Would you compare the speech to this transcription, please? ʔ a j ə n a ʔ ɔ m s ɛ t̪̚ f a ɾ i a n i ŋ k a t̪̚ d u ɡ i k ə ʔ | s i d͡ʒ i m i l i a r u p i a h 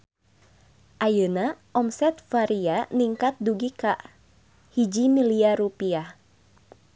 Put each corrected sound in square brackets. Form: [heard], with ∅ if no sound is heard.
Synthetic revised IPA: ʔ a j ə n a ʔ ɔ m s ɛ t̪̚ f a ɾ i a n i ŋ k a t̪̚ d u ɡ i k [a] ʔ | [h] i d͡ʒ i m i l i a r u p i a h